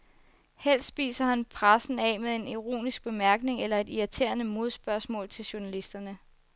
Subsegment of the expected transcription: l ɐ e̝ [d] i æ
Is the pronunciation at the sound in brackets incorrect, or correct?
correct